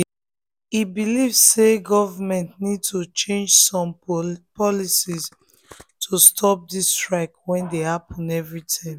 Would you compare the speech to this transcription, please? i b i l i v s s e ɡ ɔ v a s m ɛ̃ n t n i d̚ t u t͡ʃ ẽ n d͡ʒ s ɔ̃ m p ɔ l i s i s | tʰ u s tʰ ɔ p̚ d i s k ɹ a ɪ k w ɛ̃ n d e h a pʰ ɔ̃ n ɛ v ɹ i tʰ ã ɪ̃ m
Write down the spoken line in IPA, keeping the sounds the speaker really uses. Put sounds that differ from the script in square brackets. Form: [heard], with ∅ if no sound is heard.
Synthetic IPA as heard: i b i l i v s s e ɡ ɔ v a [∅] m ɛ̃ n t n i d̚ t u t͡ʃ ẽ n d͡ʒ s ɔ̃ m p ɔ l i s i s | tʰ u s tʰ ɔ p̚ d i s [t] ɹ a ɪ k w ɛ̃ n d e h a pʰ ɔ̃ n ɛ v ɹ i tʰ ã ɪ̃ m